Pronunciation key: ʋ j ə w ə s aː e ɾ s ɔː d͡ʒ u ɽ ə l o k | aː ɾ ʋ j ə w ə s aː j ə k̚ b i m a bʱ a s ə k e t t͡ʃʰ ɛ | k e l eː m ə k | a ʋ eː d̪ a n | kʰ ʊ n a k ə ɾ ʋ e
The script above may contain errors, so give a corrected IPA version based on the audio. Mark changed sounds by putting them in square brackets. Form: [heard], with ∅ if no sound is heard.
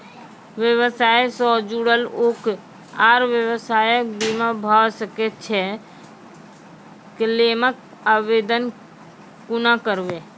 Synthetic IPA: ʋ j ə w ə s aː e [∅] s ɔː d͡ʒ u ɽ ə l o k | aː ɾ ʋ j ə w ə s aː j ə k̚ b i m a bʱ a s ə k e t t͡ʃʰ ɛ | k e l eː m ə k | a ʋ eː d̪ [ə] n | [k] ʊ n a k ə ɾ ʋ e